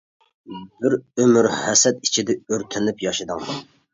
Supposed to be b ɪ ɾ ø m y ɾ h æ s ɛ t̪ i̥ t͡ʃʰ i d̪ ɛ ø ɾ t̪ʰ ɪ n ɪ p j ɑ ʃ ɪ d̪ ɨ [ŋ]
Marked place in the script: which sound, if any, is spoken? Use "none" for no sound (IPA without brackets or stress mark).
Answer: ŋ